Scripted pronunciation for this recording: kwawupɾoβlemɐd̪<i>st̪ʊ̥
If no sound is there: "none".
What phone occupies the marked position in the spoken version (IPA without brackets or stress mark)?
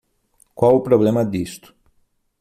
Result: i